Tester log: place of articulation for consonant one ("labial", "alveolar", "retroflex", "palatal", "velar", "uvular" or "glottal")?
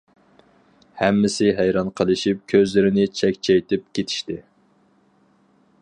glottal